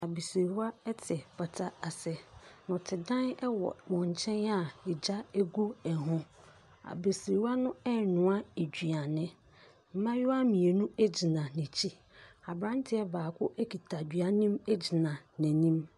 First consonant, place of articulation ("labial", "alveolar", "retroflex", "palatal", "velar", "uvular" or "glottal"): labial